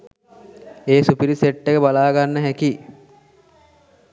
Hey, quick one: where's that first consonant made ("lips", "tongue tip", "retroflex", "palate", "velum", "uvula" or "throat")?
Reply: tongue tip